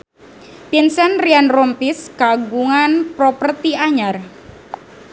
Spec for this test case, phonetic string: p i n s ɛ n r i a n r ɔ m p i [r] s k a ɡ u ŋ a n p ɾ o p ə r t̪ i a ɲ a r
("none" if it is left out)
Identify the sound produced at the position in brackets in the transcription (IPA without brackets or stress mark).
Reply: none